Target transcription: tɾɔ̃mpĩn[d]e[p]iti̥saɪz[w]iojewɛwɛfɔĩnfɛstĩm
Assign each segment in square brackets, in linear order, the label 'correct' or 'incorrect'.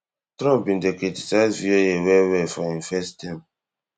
correct, incorrect, incorrect

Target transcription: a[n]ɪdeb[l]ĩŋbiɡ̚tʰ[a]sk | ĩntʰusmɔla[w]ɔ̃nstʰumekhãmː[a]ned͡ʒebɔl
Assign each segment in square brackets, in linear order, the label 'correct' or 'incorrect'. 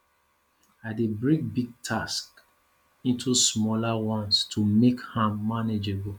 incorrect, incorrect, correct, correct, correct

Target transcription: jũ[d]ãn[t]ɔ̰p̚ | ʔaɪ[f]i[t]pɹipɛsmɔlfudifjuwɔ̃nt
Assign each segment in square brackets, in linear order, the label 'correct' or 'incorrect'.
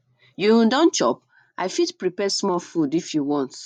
correct, incorrect, correct, correct

